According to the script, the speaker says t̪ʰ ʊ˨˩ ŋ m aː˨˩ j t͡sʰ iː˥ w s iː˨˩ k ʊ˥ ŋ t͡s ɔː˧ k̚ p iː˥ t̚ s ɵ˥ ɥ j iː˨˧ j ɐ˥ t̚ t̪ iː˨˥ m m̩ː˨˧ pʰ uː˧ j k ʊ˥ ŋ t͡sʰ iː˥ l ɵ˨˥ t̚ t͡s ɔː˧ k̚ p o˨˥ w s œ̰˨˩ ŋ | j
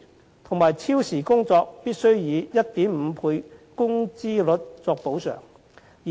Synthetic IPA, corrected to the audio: t̪ʰ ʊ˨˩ ŋ m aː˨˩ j t͡sʰ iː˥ w s iː˨˩ k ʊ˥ ŋ t͡s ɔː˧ k̚ p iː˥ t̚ s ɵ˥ ɥ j iː˨˧ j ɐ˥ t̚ t̪ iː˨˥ m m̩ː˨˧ pʰ uː˧ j k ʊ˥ ŋ t͡s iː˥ l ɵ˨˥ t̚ t͡s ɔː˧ k̚ p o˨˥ w s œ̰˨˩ ŋ | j